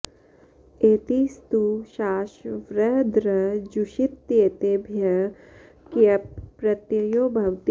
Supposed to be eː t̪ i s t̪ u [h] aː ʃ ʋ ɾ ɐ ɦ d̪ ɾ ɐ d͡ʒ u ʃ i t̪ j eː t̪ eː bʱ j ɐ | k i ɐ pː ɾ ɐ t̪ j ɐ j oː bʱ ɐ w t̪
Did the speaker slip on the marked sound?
yes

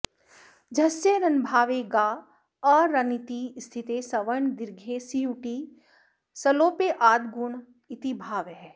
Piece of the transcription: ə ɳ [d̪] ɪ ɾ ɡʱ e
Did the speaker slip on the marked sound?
no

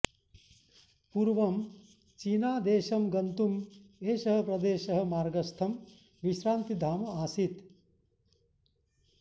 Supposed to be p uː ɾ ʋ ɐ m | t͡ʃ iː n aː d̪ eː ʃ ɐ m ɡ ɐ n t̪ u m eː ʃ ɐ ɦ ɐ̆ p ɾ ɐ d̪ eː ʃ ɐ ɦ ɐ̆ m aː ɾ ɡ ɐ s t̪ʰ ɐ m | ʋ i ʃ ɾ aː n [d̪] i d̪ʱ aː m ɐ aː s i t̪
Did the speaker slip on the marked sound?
yes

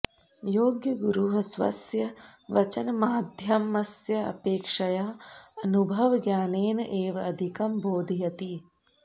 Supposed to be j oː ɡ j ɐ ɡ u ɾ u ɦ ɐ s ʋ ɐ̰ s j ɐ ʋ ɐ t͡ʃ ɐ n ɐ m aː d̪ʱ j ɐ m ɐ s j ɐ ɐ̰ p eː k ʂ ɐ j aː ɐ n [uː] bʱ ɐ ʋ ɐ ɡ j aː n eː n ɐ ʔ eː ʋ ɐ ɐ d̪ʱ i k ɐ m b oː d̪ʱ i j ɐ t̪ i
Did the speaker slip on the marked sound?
yes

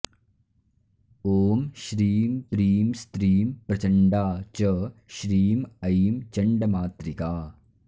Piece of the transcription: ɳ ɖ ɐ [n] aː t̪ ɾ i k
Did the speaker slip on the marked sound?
yes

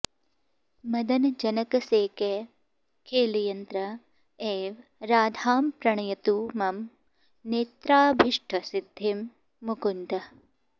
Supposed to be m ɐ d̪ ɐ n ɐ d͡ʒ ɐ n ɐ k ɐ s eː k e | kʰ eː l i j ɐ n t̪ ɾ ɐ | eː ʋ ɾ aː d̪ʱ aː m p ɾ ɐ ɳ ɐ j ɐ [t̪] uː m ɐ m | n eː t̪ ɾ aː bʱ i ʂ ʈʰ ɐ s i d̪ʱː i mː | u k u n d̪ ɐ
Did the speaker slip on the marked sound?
no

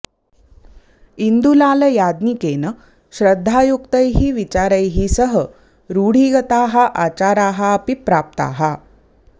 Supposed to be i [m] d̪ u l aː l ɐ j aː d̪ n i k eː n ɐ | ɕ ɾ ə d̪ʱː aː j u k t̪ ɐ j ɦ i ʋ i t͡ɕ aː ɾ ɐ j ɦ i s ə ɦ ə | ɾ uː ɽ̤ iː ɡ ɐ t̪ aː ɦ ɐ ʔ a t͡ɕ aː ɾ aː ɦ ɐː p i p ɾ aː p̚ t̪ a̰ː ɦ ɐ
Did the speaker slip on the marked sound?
yes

